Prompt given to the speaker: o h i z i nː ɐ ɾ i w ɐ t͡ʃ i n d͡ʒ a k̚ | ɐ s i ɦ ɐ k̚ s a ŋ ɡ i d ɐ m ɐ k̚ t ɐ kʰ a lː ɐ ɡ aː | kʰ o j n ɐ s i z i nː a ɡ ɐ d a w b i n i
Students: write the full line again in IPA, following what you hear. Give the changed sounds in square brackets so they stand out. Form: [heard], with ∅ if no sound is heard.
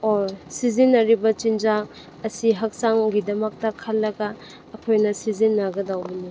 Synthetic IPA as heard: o [s] i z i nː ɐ ɾ i [b] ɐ t͡ʃ i n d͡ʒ a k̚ | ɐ s i ɦ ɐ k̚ s a ŋ ɡ i d ɐ m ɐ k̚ t ɐ kʰ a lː ɐ ɡ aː | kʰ o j n ɐ s i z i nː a ɡ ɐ d a w b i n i